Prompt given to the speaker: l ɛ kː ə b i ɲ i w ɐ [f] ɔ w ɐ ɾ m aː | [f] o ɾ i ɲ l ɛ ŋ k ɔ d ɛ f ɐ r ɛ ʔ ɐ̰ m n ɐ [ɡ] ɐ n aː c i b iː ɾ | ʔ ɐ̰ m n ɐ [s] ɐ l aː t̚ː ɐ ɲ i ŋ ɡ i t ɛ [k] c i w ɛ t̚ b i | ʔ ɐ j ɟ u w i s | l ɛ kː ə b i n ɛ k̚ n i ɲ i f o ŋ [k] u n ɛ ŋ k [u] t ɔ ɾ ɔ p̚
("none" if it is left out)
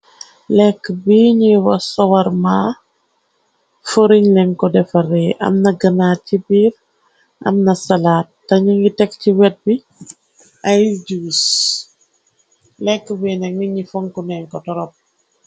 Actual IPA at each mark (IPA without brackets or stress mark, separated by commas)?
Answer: s, f, ɡ, s, k, k, ɔ